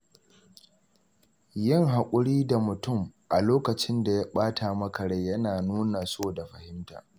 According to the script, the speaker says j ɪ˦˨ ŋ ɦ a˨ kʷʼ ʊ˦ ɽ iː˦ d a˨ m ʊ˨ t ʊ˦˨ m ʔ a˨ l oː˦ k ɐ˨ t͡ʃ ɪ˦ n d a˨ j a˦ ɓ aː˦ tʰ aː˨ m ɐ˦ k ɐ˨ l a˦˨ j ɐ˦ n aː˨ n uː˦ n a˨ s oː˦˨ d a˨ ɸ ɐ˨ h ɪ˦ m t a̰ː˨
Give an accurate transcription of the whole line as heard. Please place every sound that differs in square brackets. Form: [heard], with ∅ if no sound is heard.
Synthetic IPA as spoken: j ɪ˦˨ ŋ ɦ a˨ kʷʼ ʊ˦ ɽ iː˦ d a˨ m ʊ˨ t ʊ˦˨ m ʔ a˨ l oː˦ k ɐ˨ t͡ʃ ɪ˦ n d a˨ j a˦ ɓ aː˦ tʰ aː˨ m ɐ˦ k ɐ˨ [ɽ] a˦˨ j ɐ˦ n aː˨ n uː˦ n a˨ s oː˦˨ d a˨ ɸ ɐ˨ h ɪ˦ m t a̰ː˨